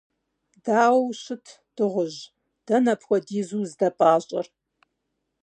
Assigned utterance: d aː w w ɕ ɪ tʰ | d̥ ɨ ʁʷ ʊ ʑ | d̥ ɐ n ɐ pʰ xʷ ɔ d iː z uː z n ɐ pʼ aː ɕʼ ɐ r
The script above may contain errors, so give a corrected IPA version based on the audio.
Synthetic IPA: d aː w w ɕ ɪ tʰ | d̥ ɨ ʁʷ ʊ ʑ | d̥ ɐ n ɐ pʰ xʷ ɔ d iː z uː z d ɐ pʼ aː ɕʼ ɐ r

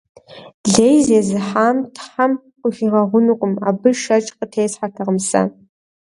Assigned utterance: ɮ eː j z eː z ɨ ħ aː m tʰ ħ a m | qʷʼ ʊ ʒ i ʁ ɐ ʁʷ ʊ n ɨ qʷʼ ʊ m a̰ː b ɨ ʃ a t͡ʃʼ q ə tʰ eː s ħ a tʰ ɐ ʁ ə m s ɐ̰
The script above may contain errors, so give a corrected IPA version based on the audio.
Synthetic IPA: ɮ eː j z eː z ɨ ħ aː m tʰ ħ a m | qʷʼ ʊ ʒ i ʁ ɐ ʁʷ ʊ n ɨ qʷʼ ʊ m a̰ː b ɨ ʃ ɐ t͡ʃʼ q ə tʰ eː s ħ a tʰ ɐ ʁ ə m s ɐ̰

